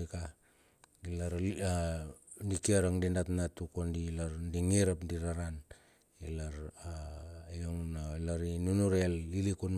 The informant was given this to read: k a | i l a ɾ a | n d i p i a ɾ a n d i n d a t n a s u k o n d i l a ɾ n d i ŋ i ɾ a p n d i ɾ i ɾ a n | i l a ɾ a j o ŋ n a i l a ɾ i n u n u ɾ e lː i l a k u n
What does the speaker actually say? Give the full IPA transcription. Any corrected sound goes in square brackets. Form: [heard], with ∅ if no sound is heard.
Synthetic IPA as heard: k a | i l a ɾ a | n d i [k] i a ɾ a [ŋ] d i n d a t n a [t] u k o n d i l a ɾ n d i ŋ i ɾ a p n d i ɾ [a] ɾ a n | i l a ɾ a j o ŋ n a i l a ɾ i n u n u ɾ e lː i l [i] k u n